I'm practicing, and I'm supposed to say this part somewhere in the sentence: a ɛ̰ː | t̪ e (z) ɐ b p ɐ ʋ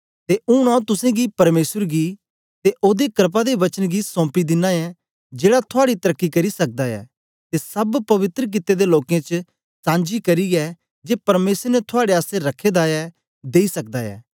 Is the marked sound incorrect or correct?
incorrect